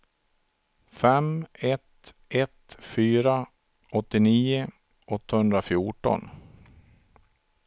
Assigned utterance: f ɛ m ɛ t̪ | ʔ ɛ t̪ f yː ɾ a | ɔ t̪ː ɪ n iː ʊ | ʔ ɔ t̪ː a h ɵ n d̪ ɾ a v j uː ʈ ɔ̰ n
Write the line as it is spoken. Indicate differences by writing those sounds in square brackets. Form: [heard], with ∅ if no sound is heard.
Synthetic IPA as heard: f ɛ m ɛ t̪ | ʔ ɛ t̪ f yː ɾ a | ɔ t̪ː ɪ n iː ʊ | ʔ ɔ t̪ː a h ɵ n d̪ ɾ a [f] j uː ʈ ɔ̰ n